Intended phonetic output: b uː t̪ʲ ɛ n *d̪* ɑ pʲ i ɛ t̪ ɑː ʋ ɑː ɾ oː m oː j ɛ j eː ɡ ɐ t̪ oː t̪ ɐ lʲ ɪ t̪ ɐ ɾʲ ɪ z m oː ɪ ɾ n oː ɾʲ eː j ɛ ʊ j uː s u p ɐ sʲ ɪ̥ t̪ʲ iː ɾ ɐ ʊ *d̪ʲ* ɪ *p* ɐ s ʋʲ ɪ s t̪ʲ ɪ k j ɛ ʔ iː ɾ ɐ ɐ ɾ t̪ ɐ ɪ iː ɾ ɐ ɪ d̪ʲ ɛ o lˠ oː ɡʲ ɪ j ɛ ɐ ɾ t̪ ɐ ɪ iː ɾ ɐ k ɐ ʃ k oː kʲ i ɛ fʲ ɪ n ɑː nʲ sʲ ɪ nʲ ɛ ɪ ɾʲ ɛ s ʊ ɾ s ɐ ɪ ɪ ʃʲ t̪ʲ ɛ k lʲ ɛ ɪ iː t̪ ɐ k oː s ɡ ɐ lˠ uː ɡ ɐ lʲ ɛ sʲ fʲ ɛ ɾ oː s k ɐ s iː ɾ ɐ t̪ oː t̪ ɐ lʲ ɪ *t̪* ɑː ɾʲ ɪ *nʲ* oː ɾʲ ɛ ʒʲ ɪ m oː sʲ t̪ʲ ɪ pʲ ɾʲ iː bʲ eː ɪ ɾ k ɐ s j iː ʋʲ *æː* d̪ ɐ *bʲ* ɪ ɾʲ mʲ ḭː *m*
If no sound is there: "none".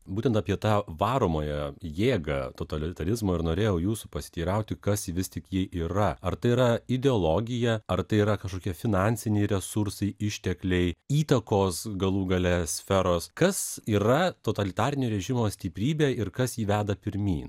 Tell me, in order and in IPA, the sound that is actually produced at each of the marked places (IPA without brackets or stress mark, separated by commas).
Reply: t̪, t̪ʲ, k, t̪, nʲ, æː, pʲ, n